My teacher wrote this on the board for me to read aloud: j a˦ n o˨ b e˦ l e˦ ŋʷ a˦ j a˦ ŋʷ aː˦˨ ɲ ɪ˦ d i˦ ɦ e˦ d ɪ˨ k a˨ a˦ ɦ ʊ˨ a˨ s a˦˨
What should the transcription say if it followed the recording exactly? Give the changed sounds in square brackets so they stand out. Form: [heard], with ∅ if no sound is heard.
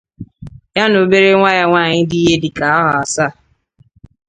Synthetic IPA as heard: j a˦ n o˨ b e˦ [ɾ] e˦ ŋʷ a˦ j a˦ ŋʷ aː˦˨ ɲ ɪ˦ d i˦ ɦ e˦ d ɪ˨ k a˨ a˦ ɦ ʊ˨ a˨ s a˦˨